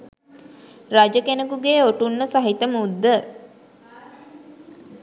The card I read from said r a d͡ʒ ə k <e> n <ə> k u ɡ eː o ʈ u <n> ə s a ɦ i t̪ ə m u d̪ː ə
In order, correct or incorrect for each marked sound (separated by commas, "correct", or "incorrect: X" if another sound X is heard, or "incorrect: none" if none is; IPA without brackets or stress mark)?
correct, correct, incorrect: nː